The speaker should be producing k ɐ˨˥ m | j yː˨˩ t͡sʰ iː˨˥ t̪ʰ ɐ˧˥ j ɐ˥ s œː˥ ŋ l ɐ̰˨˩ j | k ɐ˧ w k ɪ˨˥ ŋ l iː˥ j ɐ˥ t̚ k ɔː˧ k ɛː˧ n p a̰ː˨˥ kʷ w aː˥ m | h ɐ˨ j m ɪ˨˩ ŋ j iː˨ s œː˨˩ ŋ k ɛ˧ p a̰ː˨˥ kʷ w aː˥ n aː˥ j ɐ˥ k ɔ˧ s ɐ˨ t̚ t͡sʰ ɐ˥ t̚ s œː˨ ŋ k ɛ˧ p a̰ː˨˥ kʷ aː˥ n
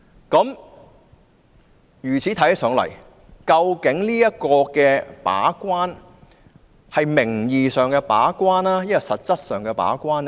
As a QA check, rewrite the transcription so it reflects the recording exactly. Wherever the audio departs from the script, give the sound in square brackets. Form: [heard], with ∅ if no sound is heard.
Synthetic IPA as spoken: k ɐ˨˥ m | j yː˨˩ t͡sʰ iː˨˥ t̪ʰ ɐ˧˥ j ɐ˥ s [œː˨˥] ŋ l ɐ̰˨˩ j | k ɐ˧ w k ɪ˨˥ ŋ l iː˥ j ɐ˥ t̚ k ɔː˧ k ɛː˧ [∅] p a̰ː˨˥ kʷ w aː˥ [n] | h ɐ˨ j m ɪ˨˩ ŋ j iː˨ s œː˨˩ ŋ k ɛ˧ p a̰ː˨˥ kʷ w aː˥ n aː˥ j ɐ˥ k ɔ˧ s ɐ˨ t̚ [t͡s] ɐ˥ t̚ s œː˨ ŋ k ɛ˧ p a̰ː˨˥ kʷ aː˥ n